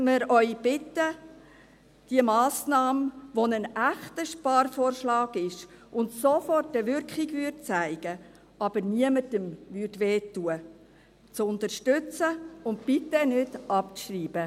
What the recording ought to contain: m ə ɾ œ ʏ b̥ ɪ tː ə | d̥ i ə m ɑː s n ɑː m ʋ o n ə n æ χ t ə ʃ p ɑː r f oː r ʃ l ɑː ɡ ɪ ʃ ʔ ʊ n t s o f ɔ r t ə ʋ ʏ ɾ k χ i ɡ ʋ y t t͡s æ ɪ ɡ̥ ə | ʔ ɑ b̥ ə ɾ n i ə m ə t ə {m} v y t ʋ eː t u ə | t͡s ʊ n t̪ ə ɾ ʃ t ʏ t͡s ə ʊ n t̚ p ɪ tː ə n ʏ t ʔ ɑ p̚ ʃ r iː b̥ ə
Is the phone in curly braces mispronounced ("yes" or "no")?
no